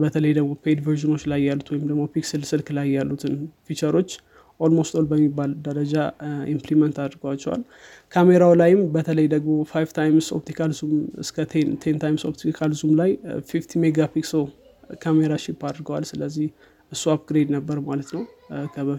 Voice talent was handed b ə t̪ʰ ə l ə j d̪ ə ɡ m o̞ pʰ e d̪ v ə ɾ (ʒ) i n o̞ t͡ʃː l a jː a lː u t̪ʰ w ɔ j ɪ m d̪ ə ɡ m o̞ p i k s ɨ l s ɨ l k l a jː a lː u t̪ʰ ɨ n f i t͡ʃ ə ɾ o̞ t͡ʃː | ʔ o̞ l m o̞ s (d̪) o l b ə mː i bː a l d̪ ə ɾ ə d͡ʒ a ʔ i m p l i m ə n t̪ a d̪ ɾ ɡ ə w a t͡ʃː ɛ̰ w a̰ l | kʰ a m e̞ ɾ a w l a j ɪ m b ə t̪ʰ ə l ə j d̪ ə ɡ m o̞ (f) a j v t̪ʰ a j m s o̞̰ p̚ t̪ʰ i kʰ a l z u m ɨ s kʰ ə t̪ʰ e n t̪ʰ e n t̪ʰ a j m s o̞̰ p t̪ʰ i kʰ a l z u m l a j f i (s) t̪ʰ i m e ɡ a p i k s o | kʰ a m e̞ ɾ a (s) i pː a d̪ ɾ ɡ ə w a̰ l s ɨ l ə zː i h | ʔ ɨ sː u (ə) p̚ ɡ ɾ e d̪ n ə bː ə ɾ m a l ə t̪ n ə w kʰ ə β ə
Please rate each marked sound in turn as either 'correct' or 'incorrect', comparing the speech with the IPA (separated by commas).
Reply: correct, incorrect, correct, incorrect, incorrect, incorrect